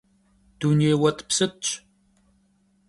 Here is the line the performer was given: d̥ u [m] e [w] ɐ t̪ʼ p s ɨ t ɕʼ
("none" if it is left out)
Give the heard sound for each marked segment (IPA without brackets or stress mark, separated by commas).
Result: n, w